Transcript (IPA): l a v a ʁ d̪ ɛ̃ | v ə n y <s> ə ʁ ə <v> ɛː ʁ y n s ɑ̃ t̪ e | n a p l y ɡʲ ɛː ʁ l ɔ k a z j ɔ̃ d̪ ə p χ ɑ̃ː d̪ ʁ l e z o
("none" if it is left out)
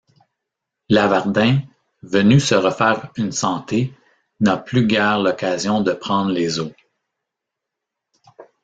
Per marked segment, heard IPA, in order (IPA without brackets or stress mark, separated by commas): s, f